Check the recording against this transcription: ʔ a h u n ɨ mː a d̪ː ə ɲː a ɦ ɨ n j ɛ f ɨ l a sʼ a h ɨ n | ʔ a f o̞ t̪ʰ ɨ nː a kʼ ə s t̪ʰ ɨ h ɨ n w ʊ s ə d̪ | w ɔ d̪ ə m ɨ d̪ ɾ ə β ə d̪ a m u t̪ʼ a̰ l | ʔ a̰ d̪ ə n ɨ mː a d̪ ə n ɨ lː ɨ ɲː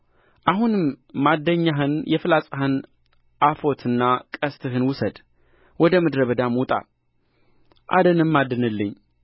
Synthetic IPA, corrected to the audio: ʔ a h u n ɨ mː a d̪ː ə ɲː a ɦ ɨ n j ɛ f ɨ l a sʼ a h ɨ n | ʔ a f o̞ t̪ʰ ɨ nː a kʼ ə s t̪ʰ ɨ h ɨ n w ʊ s ə d̪ | w ɔ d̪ ə m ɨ d̪ ɾ ə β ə d̪ a m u t̪ʼ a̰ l | ʔ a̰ d̪ ə n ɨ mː a d̪ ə n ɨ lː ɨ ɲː